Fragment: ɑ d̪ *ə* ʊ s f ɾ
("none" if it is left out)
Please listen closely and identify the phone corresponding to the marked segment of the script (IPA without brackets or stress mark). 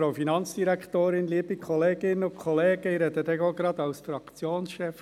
ɑ